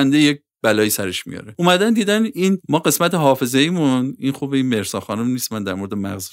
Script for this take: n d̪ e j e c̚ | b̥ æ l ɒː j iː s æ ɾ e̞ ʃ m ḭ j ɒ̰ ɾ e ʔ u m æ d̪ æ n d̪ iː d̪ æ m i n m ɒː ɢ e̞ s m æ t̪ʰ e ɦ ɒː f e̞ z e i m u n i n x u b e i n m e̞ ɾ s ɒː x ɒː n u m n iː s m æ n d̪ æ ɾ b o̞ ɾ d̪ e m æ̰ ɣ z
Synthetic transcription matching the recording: n d̪ e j e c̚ | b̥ æ l ɒː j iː s æ ɾ e̞ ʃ m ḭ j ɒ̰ ɾ e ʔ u m æ d̪ æ n d̪ iː d̪ æ n i n m ɒː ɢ e̞ s m æ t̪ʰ e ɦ ɒː f e̞ z e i m u n i n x u b e i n m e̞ ɾ s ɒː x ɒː n u m n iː s m æ n d̪ æ ɾ m o̞ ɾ d̪ e m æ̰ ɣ z